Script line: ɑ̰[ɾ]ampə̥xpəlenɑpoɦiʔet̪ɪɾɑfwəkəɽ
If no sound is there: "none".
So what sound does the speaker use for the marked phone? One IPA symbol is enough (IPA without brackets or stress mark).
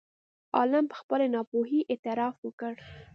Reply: l